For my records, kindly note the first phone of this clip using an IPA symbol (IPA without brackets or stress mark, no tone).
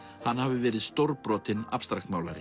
h